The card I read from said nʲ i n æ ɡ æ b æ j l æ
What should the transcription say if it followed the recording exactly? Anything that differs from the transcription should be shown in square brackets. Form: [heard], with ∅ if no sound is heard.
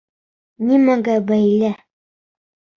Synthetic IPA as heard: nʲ i [m] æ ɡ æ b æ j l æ